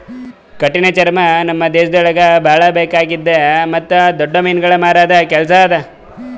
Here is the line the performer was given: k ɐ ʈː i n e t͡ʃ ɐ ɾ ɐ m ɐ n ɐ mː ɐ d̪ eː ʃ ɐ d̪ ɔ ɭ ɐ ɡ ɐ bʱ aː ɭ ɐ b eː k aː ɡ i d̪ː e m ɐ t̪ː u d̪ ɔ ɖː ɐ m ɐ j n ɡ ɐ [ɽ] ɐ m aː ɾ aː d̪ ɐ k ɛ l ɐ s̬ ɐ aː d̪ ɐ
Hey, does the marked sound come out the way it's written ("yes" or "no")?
no